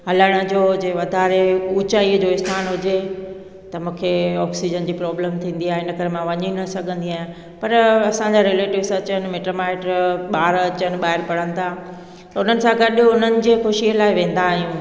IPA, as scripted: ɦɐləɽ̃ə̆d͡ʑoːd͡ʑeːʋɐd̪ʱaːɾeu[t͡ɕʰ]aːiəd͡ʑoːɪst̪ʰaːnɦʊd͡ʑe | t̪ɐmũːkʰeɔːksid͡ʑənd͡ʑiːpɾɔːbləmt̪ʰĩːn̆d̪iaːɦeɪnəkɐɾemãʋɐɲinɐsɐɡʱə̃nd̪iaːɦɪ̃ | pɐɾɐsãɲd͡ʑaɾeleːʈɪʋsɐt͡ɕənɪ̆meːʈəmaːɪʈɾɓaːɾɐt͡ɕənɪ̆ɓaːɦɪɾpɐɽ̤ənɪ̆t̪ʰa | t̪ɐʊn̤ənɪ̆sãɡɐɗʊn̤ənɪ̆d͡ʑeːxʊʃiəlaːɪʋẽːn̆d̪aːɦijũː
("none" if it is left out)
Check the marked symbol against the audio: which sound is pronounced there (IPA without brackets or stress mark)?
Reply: t͡ɕ